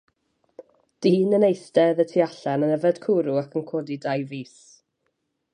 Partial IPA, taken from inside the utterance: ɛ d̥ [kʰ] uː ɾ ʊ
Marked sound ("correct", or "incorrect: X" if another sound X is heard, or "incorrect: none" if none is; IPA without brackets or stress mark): correct